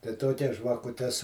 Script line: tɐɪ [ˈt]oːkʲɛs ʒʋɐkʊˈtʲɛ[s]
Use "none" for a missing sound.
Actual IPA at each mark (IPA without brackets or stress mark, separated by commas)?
t, s